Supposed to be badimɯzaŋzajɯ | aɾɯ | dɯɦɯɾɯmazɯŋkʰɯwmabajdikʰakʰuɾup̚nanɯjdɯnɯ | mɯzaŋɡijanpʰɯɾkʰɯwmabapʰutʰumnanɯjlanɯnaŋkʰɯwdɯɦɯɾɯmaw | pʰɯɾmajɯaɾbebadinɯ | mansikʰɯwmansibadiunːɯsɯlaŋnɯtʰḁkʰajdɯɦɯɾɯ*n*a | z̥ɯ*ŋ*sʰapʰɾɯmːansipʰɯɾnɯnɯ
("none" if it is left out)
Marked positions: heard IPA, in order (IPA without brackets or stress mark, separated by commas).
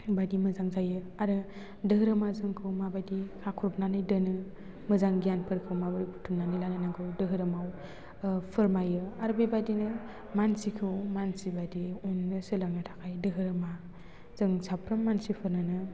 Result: m, ŋ